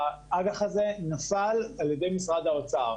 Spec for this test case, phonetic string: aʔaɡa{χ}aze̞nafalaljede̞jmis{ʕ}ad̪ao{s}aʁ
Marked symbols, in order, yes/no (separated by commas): yes, no, no